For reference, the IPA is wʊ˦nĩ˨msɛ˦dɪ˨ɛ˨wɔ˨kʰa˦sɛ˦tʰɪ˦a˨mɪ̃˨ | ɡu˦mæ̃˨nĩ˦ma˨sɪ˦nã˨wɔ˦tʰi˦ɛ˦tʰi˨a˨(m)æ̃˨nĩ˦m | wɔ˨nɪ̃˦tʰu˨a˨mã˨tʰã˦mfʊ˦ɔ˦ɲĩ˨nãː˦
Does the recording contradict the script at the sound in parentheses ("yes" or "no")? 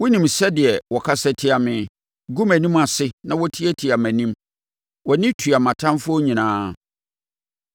no